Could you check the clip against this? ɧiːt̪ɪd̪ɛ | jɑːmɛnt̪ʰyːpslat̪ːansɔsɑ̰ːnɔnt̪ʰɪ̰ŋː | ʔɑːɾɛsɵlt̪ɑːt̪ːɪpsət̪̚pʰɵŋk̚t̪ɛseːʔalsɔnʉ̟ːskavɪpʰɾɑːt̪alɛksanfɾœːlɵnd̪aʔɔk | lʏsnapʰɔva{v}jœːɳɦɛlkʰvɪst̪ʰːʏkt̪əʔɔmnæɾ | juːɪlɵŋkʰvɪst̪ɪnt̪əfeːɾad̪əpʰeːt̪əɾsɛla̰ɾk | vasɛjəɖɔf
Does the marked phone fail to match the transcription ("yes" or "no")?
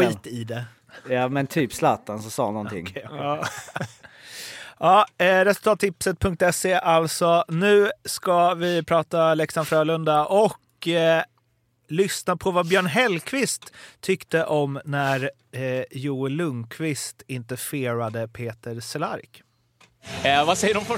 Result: yes